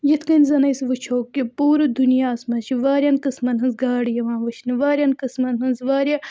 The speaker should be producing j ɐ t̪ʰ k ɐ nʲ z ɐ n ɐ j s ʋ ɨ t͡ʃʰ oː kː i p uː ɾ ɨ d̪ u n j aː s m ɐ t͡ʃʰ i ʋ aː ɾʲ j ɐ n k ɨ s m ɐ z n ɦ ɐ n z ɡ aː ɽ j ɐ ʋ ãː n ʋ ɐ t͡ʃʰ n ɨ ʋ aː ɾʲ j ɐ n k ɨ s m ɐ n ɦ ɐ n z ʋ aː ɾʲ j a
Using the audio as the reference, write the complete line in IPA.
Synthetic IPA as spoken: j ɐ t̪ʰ k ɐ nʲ z ɐ n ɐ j s ʋ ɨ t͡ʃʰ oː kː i p uː ɾ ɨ d̪ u n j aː s m ɐ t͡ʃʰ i ʋ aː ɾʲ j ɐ n k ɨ s m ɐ n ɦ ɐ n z ɡ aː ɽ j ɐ ʋ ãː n ʋ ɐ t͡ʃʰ n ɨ ʋ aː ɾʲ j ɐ n k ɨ s m ɐ n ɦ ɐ n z ʋ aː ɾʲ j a